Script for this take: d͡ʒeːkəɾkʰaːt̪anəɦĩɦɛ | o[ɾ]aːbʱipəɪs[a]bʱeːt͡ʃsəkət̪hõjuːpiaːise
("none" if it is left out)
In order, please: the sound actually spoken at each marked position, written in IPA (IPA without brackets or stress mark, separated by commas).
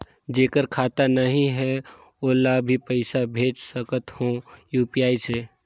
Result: l, a